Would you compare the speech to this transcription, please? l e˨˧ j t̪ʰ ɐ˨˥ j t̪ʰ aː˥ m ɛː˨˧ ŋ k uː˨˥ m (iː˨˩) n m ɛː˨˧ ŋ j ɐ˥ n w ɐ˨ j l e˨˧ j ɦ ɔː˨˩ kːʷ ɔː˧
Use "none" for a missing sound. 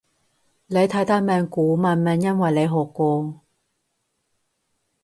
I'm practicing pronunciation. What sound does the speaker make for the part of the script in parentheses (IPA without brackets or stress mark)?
aː˨˩